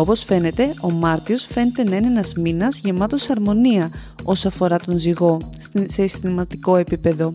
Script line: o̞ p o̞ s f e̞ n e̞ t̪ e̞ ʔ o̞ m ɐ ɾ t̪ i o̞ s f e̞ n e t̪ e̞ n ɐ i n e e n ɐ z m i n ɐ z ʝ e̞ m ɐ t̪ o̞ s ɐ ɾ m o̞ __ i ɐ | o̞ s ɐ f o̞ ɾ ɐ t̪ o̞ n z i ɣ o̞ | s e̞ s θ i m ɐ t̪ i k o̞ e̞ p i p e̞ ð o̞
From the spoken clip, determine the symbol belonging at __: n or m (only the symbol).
n